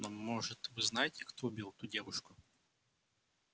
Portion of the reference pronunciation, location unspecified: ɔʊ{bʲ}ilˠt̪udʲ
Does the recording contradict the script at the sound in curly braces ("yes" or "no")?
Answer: no